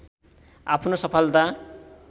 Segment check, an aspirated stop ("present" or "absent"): present